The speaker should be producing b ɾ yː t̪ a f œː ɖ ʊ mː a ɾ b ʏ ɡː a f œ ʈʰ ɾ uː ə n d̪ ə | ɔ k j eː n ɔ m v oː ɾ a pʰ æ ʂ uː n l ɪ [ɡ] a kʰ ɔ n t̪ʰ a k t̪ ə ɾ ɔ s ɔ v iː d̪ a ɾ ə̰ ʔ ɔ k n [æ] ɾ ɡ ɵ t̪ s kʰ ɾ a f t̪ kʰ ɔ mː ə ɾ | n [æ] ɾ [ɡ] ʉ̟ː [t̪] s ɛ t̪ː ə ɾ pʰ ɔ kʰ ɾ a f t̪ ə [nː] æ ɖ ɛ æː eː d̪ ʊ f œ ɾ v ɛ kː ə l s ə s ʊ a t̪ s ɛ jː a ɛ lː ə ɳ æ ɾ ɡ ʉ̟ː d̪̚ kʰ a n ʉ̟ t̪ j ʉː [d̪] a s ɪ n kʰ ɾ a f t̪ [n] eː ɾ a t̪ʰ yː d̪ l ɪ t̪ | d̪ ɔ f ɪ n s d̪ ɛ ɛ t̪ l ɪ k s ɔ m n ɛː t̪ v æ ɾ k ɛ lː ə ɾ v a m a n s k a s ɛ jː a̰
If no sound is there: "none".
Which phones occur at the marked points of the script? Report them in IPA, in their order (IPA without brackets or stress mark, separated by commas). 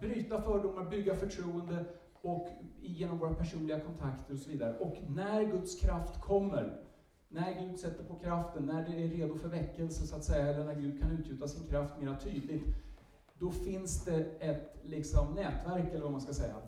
ɡ, æ, æ, ɡ, d̪, nː, t̪, m